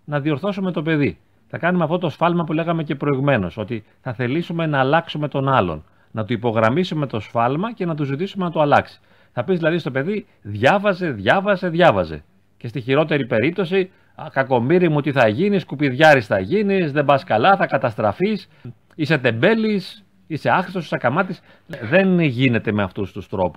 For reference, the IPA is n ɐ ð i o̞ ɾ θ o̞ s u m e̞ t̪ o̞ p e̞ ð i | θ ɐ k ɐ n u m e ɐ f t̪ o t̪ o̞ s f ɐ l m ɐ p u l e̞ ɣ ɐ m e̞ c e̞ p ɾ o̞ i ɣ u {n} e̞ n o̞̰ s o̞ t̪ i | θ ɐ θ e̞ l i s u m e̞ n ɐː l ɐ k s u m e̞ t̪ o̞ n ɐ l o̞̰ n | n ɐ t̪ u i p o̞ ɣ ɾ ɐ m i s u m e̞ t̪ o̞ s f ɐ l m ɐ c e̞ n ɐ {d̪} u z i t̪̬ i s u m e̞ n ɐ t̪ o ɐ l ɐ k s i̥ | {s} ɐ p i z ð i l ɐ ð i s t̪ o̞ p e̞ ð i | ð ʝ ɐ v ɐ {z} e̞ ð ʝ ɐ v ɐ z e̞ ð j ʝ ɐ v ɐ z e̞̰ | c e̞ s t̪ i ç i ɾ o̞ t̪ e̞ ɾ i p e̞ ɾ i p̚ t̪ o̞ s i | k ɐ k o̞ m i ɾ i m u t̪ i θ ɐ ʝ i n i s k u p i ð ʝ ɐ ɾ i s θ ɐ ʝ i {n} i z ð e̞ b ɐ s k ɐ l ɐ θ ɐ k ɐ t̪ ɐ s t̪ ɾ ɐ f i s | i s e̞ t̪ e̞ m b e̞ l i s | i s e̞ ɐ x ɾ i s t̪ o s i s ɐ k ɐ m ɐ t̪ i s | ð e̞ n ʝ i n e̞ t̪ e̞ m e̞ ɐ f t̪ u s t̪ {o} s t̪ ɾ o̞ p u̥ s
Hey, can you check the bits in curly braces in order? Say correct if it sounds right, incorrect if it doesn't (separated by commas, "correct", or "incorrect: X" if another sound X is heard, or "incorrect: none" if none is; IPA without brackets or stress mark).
incorrect: m, incorrect: t̪, incorrect: θ, correct, correct, incorrect: u